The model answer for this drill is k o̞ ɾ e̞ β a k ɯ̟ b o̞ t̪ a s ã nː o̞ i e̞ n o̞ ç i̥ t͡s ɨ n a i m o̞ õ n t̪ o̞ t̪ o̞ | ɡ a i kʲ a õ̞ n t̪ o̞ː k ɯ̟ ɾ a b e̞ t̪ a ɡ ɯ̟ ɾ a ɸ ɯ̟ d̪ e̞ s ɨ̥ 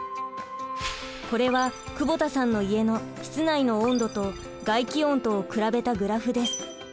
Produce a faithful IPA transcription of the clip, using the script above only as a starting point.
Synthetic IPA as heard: k o̞ ɾ e̞ β a k ɯ̟ b o̞ t̪ a s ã nː o̞ i e̞ n o̞ ç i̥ t͡s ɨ n a i n o̞ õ n d̪ o̞ t̪ o̞ | ɡ a i kʲ i õ̞ n t̪ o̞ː k ɯ̟ ɾ a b e̞ t̪ a ɡ ɯ̟ ɾ a ɸ ɯ̟ d̪ e̞ s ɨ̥